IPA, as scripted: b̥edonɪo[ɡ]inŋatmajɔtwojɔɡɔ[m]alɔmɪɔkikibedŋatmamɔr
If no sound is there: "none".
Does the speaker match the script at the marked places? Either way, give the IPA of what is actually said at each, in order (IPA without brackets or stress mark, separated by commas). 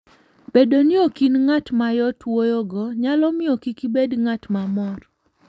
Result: k, ɲ